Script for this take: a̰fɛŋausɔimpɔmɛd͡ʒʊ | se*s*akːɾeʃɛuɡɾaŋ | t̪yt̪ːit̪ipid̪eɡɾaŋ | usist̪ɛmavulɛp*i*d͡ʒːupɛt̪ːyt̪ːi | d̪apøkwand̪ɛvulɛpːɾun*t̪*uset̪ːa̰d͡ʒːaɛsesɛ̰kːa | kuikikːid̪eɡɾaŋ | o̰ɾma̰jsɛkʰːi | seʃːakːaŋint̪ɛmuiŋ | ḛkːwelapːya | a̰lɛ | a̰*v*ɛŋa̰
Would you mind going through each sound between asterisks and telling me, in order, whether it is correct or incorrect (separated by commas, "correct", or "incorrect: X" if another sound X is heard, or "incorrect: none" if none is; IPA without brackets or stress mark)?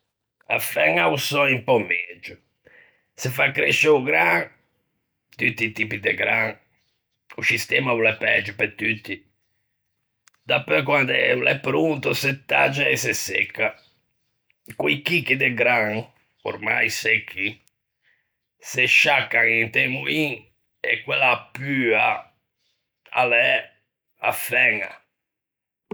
incorrect: f, incorrect: ɛ, correct, incorrect: f